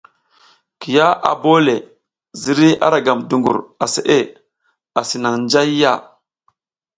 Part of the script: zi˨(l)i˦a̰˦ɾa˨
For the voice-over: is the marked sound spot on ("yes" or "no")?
no